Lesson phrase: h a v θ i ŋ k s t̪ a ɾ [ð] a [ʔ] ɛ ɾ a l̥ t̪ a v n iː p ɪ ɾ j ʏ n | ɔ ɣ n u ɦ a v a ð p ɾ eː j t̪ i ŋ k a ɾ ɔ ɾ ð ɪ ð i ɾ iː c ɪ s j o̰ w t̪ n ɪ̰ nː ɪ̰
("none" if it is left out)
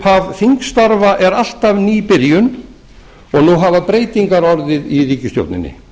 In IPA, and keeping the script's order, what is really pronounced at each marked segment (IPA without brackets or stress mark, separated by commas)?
v, ʔ